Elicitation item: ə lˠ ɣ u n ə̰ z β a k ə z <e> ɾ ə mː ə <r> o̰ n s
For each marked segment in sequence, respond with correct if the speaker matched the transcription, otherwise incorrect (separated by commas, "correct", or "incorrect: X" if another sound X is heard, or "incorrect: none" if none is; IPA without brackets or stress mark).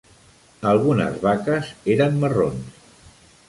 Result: correct, correct